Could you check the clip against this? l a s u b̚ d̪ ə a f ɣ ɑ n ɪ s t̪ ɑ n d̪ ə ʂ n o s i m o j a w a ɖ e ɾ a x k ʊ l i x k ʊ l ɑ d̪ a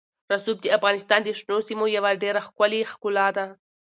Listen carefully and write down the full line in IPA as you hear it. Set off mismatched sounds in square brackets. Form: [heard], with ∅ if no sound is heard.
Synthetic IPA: [ɾ] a s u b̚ d̪ ə a f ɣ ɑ n ɪ s t̪ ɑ n d̪ ə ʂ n o s i m o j a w a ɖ e ɾ a x k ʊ l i x k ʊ l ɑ d̪ a